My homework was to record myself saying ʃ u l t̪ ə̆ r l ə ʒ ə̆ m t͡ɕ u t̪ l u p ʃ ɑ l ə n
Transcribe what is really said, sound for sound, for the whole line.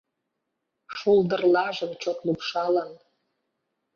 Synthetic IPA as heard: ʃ u l d̪ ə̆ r l ɑ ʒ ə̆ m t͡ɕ o t̪ l u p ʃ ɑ l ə n